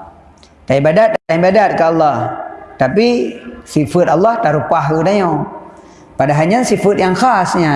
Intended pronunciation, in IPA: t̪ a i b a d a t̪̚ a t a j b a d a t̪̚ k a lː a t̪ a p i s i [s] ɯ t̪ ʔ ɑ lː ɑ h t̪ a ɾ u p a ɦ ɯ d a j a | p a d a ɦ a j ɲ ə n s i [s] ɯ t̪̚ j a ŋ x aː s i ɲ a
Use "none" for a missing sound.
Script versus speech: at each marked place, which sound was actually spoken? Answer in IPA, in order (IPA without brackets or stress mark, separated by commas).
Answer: f, f